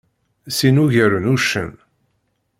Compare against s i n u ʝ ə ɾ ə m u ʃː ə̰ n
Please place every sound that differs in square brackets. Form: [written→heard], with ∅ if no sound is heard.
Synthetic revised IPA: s i n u ʝ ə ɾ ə [m→n] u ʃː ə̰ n